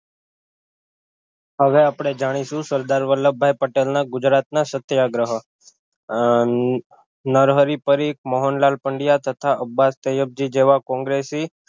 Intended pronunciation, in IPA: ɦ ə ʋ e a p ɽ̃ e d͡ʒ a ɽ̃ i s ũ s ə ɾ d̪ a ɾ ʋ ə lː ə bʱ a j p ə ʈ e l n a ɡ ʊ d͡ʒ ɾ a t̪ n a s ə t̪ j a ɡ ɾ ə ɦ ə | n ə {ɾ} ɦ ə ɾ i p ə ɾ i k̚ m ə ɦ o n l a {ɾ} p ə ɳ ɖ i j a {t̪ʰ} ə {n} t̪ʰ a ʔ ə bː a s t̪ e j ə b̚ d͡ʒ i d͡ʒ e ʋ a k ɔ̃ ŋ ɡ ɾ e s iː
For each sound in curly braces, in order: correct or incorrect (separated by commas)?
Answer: correct, incorrect, incorrect, incorrect